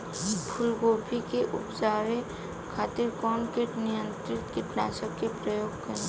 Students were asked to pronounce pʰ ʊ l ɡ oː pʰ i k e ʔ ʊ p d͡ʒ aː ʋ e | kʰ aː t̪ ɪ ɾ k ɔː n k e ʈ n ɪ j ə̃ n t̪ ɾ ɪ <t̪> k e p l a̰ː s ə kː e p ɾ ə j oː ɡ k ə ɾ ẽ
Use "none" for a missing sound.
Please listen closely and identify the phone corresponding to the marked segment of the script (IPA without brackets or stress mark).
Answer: t̪